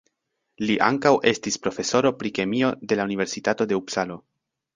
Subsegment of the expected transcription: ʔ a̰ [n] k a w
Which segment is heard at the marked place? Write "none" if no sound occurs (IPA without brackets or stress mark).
ŋ